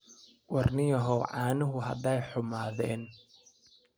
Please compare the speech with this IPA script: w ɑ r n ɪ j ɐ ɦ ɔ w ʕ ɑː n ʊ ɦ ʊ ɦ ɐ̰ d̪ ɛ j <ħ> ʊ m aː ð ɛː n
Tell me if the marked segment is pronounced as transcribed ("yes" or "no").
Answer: yes